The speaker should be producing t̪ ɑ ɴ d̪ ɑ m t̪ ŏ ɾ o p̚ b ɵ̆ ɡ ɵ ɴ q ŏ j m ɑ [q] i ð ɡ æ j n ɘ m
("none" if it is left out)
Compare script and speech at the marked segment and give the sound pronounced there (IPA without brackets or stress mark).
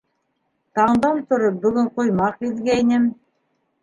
q